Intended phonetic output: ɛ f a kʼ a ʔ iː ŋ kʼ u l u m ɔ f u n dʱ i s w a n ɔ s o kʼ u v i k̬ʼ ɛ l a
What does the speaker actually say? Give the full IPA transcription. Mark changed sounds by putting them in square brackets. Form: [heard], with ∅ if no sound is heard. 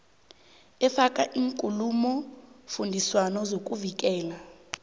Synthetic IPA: ɛ f a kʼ a ʔ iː ŋ kʼ u l u m ɔ f u n dʱ i s w a n ɔ [z] o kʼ u v i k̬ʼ [ɛː] l a